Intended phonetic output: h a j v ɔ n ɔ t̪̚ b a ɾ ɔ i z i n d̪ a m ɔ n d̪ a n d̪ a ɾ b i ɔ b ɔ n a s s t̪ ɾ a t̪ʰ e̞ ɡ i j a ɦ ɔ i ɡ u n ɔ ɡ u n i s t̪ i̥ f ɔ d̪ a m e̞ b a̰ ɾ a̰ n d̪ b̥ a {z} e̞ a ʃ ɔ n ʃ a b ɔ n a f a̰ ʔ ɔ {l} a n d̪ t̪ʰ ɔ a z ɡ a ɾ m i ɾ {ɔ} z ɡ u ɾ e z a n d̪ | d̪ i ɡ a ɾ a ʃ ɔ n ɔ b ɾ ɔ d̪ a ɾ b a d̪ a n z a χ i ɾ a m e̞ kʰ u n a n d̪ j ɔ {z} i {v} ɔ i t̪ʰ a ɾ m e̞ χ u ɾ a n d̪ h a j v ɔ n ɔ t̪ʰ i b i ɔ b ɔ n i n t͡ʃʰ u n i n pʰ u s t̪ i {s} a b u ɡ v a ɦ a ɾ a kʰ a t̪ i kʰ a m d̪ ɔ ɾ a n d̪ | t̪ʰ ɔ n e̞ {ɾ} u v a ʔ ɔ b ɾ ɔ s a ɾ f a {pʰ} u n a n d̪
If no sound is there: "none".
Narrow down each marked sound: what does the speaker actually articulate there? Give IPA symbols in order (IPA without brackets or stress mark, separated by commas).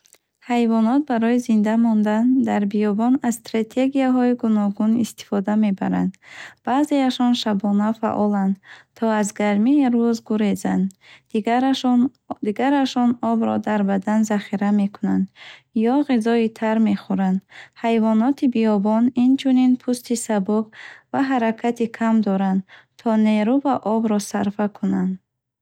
z, l, u, ʁ, z, s, ɾ, kʰ